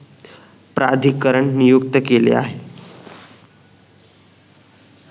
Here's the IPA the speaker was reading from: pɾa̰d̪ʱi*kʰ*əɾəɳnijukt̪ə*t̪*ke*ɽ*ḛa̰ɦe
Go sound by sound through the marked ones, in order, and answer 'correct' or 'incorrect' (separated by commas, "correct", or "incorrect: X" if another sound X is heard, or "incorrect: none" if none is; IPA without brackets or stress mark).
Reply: incorrect: k, incorrect: none, incorrect: l